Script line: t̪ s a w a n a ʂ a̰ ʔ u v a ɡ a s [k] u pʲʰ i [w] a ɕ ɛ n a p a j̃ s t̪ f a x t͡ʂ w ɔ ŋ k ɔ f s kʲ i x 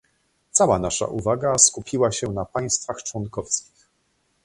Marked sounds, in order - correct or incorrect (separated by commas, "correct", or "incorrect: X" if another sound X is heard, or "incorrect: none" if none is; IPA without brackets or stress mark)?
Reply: correct, correct